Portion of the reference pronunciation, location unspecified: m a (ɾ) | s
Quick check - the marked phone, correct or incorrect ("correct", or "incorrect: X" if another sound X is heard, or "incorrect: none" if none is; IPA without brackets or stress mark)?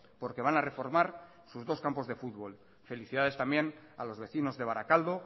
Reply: correct